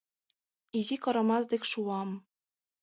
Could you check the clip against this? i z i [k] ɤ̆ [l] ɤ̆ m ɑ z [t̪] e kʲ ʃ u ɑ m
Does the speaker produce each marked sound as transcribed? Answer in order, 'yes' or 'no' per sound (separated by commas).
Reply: yes, no, no